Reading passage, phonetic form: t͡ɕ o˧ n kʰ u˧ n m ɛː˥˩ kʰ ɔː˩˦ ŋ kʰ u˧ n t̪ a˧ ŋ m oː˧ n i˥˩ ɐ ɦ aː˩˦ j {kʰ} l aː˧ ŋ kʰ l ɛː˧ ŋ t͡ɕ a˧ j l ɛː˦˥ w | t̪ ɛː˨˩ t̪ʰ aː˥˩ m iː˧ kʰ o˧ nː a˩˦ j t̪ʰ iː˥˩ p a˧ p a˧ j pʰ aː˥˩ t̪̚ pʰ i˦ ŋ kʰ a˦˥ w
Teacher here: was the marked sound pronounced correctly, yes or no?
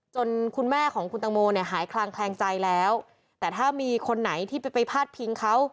yes